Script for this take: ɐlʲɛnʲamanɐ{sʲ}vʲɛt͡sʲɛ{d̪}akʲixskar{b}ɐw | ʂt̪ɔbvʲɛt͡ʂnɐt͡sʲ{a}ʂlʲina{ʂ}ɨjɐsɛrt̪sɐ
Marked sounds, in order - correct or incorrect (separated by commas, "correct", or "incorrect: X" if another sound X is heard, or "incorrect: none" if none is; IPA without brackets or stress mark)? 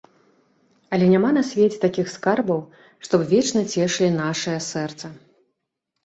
correct, incorrect: t̪, correct, incorrect: ɛ, correct